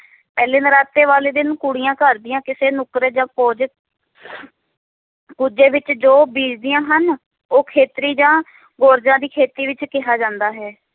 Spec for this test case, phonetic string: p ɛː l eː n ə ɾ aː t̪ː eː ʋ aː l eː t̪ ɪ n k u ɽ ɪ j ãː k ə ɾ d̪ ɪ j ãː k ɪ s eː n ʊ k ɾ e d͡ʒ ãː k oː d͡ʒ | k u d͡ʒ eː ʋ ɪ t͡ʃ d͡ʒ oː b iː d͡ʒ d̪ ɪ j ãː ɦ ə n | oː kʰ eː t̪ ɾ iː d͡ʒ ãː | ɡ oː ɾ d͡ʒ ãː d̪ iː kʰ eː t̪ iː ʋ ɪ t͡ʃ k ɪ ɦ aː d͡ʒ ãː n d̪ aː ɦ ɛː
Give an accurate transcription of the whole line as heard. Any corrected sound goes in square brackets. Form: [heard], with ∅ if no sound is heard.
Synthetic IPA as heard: p ɛː l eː n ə ɾ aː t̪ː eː ʋ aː l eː [d̪] ɪ n k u ɽ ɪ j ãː k ə ɾ d̪ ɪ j ãː k ɪ s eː n ʊ k ɾ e d͡ʒ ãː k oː d͡ʒ | k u d͡ʒ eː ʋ ɪ t͡ʃ d͡ʒ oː b iː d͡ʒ d̪ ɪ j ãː ɦ ə n | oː kʰ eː t̪ ɾ iː d͡ʒ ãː | ɡ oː ɾ d͡ʒ ãː d̪ iː kʰ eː t̪ iː ʋ ɪ t͡ʃ k ɪ ɦ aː d͡ʒ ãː n d̪ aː ɦ ɛː

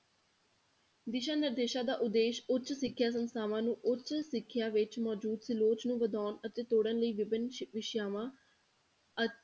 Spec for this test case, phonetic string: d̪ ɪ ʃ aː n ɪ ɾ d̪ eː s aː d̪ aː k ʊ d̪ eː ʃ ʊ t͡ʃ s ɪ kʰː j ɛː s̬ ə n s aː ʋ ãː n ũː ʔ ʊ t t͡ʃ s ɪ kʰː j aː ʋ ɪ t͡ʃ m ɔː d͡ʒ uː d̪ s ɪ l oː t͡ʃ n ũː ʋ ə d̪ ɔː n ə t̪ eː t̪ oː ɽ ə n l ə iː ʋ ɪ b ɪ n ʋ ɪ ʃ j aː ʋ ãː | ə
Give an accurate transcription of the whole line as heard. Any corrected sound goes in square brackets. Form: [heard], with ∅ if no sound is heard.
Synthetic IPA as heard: d̪ ɪ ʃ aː n ɪ ɾ d̪ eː [ʃ] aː d̪ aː [ʔ] ʊ d̪ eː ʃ ʊ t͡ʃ s ɪ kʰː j [aː] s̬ ə n s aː ʋ ãː n ũː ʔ ʊ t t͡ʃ s ɪ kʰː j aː ʋ ɪ t͡ʃ m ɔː d͡ʒ uː d̪ s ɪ l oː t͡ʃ n ũː ʋ ə d̪ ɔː n ə t̪ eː t̪ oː ɽ ə n l ə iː ʋ ɪ b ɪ n ʋ ɪ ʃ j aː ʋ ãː | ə

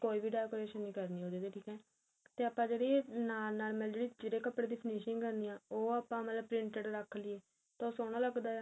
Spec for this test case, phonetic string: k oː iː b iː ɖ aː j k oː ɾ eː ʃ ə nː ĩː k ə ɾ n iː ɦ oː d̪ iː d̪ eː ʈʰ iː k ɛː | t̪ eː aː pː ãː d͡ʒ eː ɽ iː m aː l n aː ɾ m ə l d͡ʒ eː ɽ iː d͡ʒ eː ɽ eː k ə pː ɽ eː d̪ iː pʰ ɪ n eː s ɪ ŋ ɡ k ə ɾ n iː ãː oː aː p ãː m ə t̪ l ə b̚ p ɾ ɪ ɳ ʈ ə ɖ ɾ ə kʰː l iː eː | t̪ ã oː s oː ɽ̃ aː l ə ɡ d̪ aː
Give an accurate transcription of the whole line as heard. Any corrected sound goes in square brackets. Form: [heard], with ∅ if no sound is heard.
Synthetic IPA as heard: k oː iː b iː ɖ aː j k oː ɾ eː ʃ ə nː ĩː k ə ɾ n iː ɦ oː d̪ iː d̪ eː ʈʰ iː k ɛː | t̪ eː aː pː ãː d͡ʒ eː ɽ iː [n] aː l n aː ɾ m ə l d͡ʒ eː ɽ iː d͡ʒ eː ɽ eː k ə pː ɽ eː d̪ iː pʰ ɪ n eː [ʃ] ɪ ŋ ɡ k ə ɾ n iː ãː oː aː p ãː m ə t̪ l ə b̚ p ɾ ɪ ɳ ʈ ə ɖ ɾ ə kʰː l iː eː | t̪ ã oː s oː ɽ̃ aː l ə ɡ d̪ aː

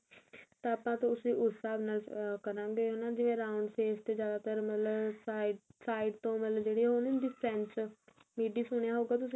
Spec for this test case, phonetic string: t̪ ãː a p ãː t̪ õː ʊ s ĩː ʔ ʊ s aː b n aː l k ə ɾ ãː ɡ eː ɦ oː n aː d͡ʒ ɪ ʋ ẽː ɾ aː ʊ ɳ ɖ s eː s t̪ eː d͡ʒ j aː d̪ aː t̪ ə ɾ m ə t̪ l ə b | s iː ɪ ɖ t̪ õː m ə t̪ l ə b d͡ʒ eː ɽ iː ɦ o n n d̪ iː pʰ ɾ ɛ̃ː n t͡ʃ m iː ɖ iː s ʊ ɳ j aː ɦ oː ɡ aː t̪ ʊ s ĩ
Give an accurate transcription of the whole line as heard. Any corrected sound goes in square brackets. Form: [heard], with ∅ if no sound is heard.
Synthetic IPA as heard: t̪ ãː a p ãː t̪ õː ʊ s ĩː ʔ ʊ s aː b n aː l k ə ɾ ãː ɡ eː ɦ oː n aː d͡ʒ ɪ ʋ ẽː ɾ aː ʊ ɳ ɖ s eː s t̪ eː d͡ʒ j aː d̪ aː t̪ ə ɾ m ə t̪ l ə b | s [aː] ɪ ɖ t̪ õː m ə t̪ l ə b d͡ʒ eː ɽ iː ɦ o n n d̪ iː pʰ ɾ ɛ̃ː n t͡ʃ m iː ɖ iː s ʊ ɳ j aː ɦ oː ɡ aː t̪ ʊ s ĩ

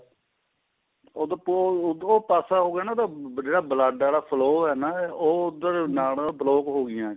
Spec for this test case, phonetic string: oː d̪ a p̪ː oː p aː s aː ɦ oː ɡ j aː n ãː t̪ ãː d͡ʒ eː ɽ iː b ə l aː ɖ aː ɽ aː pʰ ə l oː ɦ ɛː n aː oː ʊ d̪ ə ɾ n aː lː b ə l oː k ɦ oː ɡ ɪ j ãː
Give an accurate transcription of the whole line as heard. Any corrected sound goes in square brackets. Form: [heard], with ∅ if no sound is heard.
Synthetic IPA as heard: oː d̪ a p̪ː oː p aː s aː ɦ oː ɡ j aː n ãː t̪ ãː d͡ʒ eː ɽ [aː] b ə l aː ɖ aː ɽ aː pʰ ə l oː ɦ ɛː n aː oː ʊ d̪ ə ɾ n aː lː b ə l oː k ɦ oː ɡ ɪ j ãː

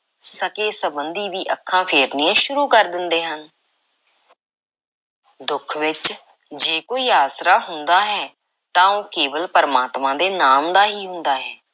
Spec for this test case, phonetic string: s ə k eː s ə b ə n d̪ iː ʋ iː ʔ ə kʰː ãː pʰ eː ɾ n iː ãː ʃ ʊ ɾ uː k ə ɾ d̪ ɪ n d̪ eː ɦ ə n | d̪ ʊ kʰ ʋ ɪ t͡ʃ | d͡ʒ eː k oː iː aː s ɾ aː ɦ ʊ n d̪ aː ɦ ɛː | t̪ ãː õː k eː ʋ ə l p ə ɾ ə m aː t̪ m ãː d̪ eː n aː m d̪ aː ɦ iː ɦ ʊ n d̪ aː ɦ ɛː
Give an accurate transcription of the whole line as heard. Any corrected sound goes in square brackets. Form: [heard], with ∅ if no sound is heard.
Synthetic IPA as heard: s ə k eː s ə b ə n d̪ iː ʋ iː ʔ ə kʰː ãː pʰ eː ɾ n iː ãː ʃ ʊ ɾ uː k ə ɾ d̪ ɪ n d̪ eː ɦ ə n | d̪ ʊ kʰ ʋ ɪ t͡ʃ | d͡ʒ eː k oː iː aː s ɾ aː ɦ ʊ n d̪ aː ɦ ɛː | t̪ ãː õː k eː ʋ ə l p ə ɾ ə m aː t̪ m ãː d̪ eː n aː m d̪ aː ɦ iː ɦ ʊ n d̪ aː ɦ ɛː

